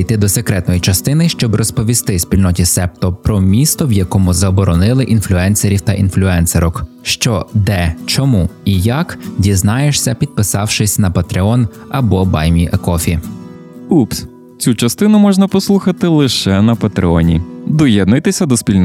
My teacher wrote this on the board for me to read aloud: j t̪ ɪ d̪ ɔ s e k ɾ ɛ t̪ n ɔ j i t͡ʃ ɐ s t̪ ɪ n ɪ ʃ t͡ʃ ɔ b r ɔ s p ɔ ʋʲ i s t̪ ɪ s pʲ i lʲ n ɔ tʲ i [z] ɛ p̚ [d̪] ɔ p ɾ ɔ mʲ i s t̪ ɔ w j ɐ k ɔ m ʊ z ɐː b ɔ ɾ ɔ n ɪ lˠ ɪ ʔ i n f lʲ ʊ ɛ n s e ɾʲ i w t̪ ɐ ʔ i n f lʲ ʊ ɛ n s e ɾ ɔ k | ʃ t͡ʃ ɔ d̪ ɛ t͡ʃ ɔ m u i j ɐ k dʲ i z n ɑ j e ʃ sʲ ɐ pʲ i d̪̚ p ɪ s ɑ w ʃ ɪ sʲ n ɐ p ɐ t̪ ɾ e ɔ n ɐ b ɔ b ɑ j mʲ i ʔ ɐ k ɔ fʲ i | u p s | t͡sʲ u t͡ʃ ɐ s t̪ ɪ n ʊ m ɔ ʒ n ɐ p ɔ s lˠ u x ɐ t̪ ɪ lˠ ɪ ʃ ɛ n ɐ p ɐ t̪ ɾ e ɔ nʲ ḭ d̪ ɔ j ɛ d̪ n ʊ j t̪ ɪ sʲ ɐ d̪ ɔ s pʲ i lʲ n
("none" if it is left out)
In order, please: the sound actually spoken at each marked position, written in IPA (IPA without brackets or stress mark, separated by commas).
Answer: s, t̪